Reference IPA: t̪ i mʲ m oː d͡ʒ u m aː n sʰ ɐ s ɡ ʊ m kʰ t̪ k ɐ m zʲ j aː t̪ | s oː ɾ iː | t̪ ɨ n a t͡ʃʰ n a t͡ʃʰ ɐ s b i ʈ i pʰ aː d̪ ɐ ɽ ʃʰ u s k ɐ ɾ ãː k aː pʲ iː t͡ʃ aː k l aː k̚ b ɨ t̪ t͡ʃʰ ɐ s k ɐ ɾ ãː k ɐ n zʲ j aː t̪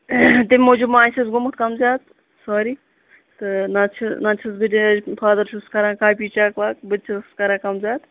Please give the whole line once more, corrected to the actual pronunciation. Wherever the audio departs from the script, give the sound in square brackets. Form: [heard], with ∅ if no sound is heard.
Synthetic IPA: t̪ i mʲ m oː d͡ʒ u m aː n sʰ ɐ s ɡ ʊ m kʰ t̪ k ɐ m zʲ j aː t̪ | s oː ɾ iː | t̪ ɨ n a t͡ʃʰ n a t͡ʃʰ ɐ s b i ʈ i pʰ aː d̪ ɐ [ɾ] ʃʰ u s k ɐ ɾ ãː k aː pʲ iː t͡ʃ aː k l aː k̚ b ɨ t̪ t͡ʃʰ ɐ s k ɐ ɾ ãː k ɐ [m] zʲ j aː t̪